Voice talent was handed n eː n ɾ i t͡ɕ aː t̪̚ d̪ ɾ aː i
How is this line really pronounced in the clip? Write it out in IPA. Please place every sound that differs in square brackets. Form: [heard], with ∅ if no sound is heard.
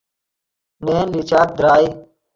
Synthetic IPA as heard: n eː n [l] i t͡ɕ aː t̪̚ d̪ ɾ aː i